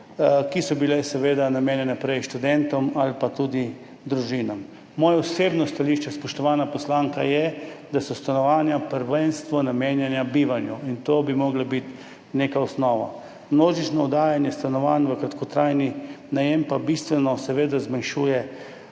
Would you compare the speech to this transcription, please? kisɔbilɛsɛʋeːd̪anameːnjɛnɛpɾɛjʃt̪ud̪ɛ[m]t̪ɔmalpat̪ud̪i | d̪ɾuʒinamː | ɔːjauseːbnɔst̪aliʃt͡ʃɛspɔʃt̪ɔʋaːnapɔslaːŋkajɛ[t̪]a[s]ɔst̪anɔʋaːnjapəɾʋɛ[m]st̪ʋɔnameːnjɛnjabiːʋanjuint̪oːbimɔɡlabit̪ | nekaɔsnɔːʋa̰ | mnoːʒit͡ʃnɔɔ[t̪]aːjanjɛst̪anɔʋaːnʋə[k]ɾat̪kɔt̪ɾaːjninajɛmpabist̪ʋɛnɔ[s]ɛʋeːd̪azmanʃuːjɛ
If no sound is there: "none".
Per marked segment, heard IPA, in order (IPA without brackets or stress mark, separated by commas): n, d̪, s, n, d̪, k, s